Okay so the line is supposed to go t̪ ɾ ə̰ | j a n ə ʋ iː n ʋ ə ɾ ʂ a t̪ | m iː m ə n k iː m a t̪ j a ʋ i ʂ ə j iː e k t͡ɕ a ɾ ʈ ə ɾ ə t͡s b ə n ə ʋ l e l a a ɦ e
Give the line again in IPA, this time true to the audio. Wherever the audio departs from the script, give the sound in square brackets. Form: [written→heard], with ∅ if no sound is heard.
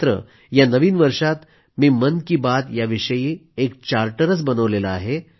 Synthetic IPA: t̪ ɾ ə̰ | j a n ə ʋ iː n ʋ ə ɾ ʂ a t̪ | m iː m ə n k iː [m→b] a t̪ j a ʋ i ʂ ə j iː e k t͡ɕ a ɾ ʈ ə ɾ ə t͡s b ə n ə ʋ l e l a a ɦ e